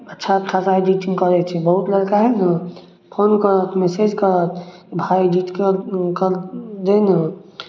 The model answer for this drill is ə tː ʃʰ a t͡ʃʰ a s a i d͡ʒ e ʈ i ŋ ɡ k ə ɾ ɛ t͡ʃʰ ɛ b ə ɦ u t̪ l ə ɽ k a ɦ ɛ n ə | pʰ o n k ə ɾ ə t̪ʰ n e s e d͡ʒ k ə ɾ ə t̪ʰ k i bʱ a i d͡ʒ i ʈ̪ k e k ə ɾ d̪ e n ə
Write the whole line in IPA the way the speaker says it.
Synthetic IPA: ə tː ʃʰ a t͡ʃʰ a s a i d͡ʒ i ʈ i ŋ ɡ k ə ɾ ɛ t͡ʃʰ ɛ b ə ɦ u t̪ l ə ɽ k a ɦ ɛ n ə | pʰ o n k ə ɾ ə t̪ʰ m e s e d͡ʒ k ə ɾ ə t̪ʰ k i bʱ a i d͡ʒ i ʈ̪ k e k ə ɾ d̪ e n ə